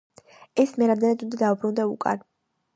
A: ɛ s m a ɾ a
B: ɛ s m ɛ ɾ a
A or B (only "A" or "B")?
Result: B